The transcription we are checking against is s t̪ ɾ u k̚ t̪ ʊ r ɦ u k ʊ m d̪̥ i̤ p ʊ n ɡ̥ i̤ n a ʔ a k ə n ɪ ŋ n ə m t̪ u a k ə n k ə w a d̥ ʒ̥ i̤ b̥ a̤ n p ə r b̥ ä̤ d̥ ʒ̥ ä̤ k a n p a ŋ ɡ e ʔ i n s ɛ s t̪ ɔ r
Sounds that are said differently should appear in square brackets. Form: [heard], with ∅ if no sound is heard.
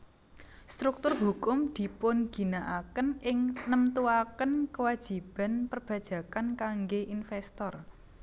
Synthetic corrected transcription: s t̪ ɾ u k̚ t̪ ʊ r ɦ u k ʊ m d̪̥ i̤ p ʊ n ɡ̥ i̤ n a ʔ a k ə n ɪ ŋ n ə m t̪ u a k ə n k ə w a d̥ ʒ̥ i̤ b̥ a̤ n p ə r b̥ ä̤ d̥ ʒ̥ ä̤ k a n [k] a ŋ ɡ e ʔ i n [f] ɛ s t̪ ɔ r